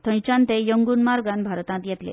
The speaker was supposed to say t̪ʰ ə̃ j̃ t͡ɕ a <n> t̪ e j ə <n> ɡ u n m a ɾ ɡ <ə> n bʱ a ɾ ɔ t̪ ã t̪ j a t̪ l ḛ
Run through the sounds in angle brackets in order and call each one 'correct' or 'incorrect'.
correct, incorrect, incorrect

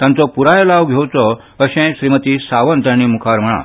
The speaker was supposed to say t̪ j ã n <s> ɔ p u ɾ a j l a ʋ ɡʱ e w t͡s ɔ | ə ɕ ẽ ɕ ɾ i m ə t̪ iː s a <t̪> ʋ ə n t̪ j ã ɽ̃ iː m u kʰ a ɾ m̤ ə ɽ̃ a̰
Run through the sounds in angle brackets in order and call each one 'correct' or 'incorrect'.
incorrect, incorrect

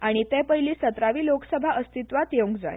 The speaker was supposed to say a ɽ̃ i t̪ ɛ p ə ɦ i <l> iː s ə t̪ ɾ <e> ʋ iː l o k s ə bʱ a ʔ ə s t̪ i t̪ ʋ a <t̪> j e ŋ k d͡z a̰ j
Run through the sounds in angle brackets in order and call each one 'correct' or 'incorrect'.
correct, incorrect, correct

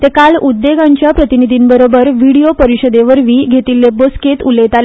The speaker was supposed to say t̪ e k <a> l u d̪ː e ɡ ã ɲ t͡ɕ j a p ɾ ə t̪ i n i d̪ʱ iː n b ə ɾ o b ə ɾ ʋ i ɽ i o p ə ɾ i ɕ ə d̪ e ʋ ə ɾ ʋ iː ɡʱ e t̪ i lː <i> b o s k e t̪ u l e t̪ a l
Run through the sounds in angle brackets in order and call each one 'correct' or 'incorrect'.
correct, incorrect

